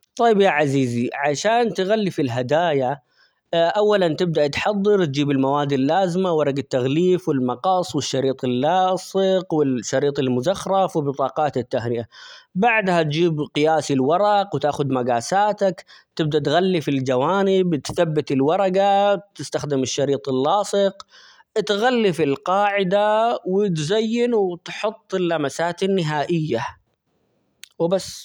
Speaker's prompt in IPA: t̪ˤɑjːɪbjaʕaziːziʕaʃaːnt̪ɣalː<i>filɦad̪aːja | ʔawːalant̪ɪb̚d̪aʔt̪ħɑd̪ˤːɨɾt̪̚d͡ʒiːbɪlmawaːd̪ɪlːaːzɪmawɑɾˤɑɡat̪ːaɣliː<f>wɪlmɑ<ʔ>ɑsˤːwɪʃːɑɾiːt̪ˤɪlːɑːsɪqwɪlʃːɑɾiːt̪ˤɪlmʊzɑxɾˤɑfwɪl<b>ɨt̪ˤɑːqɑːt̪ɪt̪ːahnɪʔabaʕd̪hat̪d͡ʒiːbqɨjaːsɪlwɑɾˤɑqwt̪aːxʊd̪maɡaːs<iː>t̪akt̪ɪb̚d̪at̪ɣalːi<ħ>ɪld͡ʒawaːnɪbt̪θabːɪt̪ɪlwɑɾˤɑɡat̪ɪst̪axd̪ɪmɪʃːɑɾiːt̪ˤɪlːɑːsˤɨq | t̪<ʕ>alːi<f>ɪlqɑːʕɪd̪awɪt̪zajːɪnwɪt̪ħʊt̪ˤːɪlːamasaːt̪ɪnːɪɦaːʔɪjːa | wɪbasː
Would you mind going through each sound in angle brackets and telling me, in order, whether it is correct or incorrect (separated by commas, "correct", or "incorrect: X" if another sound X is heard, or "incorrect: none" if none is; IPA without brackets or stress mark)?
correct, correct, incorrect: q, correct, incorrect: aː, incorrect: f, incorrect: ɣ, correct